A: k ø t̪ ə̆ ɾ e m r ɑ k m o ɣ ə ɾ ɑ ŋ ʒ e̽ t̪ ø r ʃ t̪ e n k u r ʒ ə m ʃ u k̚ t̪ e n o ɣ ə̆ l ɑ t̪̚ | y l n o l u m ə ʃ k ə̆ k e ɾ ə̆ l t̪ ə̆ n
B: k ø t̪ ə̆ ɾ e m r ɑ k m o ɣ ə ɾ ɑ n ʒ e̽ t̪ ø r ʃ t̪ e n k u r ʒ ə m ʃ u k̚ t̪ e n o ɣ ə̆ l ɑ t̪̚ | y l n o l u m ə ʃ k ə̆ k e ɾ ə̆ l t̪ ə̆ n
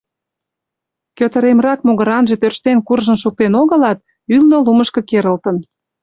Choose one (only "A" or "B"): B